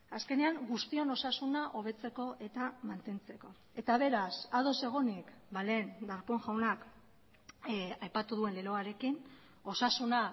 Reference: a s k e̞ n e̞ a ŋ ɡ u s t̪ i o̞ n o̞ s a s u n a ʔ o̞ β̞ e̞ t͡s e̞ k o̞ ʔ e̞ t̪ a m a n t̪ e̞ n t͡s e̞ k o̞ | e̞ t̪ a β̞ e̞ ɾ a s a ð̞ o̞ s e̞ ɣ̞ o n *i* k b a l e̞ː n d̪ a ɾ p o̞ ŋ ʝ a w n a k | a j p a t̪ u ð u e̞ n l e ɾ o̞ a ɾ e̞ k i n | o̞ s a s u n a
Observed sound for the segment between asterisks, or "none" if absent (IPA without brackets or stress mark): i